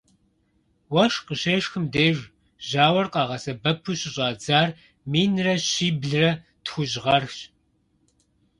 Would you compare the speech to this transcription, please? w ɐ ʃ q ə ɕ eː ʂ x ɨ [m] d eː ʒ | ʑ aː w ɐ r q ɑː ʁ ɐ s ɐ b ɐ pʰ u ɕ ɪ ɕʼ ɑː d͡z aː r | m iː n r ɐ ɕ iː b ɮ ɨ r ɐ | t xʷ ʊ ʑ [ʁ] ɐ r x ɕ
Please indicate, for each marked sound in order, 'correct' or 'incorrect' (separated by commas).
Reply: correct, correct